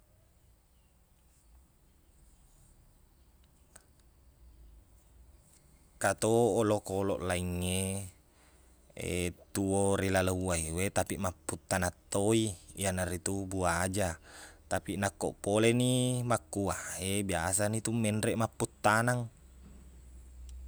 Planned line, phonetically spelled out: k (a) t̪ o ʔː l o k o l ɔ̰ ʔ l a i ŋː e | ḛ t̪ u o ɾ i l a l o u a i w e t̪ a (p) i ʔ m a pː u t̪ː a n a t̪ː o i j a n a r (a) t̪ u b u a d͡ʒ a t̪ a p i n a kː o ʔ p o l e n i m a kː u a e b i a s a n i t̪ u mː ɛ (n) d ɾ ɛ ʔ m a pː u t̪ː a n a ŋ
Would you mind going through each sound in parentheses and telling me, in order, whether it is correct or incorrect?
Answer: correct, correct, incorrect: i, correct

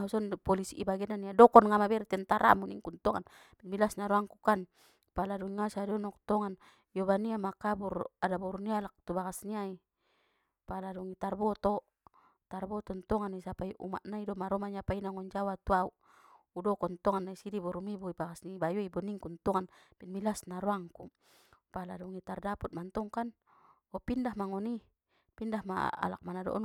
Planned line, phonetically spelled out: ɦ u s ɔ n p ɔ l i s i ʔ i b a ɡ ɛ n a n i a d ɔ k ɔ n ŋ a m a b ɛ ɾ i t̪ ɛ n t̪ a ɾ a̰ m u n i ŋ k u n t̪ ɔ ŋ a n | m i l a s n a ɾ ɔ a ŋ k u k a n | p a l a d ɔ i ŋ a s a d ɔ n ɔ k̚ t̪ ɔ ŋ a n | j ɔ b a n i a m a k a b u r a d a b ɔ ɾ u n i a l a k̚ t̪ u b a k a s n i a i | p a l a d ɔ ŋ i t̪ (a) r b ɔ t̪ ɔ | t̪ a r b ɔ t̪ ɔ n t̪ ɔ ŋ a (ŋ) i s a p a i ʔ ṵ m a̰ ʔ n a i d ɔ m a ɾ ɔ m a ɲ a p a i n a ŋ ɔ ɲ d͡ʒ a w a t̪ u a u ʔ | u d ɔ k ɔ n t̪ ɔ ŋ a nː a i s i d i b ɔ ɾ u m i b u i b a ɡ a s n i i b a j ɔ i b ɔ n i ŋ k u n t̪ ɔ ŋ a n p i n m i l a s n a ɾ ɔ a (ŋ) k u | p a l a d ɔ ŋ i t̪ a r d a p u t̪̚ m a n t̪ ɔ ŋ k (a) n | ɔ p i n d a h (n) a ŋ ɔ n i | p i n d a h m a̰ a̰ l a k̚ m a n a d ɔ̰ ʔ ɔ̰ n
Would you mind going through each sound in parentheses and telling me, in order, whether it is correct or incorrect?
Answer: correct, incorrect: n, correct, correct, incorrect: m

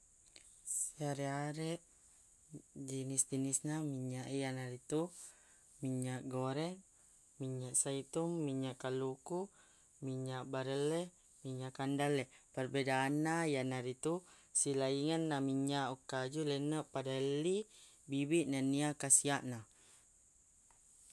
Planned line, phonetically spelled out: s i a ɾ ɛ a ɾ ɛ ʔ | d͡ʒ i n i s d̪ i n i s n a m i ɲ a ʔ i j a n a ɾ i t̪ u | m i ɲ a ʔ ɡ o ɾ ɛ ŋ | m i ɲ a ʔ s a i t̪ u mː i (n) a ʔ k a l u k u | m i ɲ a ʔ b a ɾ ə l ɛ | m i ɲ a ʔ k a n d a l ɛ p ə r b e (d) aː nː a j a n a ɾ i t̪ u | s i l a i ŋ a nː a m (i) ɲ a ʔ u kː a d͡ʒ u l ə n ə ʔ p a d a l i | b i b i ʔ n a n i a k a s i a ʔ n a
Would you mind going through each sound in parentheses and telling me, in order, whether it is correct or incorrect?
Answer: incorrect: ɲ, correct, correct

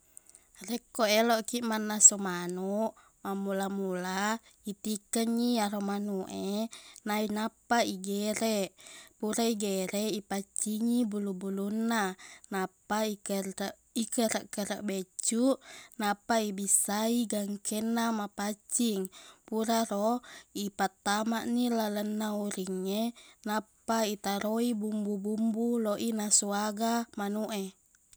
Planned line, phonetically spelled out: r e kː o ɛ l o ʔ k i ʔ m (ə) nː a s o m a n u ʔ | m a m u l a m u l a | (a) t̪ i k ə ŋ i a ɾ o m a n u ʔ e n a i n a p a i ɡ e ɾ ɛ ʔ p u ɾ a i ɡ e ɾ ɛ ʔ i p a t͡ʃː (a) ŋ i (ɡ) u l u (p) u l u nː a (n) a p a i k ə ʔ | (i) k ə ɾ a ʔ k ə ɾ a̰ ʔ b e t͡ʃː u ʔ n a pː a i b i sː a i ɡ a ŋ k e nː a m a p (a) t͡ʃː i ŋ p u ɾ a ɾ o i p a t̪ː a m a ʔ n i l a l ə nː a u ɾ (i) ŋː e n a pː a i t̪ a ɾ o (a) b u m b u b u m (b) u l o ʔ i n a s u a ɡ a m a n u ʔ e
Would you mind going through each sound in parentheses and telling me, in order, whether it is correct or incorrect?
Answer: incorrect: a, incorrect: i, incorrect: i, incorrect: b, incorrect: b, correct, correct, correct, correct, incorrect: i, correct

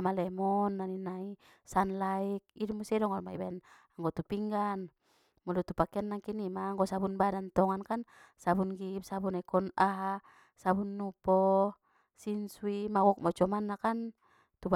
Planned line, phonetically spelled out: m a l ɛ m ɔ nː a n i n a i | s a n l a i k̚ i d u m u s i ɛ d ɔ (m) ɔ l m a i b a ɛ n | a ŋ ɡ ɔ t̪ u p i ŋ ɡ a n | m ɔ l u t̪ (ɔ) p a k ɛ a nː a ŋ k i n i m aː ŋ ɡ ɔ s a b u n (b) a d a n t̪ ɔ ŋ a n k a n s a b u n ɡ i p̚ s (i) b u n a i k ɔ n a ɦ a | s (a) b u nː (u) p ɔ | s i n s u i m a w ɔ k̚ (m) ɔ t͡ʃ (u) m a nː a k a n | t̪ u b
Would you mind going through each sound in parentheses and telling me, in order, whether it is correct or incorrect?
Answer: incorrect: ŋ, incorrect: u, correct, incorrect: a, correct, correct, correct, incorrect: ɔ

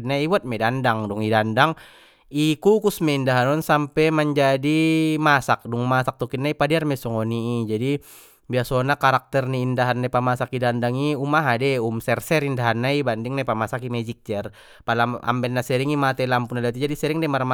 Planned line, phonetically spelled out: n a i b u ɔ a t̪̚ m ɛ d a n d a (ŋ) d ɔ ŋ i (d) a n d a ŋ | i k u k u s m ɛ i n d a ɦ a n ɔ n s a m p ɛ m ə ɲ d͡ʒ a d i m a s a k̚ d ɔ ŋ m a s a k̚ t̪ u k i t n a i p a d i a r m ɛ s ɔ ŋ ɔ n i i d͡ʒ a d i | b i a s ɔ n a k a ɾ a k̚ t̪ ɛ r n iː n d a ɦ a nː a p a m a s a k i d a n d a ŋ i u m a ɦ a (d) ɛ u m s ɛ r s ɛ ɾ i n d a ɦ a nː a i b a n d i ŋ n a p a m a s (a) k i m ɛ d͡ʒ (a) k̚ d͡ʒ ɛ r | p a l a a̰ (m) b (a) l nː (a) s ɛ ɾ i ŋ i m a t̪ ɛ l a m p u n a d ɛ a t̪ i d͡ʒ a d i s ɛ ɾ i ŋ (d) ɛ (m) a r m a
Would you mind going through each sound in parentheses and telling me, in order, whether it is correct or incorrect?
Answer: correct, correct, correct, correct, incorrect: i, correct, incorrect: ɛ, correct, correct, correct

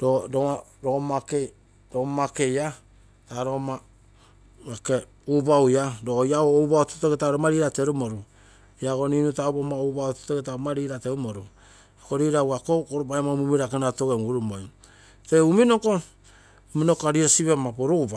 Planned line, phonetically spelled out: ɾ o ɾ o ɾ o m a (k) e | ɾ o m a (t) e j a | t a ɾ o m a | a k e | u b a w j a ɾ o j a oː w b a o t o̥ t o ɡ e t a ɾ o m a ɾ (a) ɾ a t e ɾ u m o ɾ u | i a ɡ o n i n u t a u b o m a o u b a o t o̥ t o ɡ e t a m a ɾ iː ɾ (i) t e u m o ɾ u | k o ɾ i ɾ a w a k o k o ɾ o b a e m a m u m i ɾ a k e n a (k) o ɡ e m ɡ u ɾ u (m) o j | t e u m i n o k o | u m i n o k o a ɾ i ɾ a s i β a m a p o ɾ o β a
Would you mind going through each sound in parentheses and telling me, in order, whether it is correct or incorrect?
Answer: correct, incorrect: k, incorrect: i, incorrect: a, incorrect: t, correct

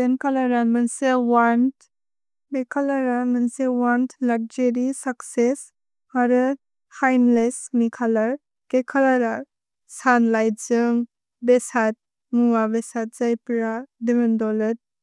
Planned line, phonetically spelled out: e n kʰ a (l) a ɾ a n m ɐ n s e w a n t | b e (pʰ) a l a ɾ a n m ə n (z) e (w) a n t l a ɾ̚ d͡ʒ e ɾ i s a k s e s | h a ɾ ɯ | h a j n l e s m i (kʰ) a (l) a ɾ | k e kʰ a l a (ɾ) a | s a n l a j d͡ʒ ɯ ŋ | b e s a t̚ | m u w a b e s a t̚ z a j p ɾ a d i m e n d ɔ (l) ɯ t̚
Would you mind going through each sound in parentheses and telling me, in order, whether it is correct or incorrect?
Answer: correct, incorrect: kʰ, incorrect: s, correct, correct, correct, correct, correct

